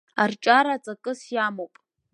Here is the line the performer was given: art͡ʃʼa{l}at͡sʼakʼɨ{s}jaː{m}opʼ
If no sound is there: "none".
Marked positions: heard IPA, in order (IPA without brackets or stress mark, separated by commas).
ɾ, s, m